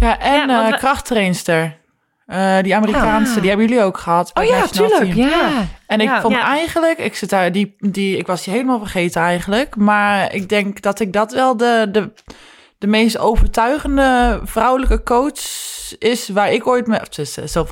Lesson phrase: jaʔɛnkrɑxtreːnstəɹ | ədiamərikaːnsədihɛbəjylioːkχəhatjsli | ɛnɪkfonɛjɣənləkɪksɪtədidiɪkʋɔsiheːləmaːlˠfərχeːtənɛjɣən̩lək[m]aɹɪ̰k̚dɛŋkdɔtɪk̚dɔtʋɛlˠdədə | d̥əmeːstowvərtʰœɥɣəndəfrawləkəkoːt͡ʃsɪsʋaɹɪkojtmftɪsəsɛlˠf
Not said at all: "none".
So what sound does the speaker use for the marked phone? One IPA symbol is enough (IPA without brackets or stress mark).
m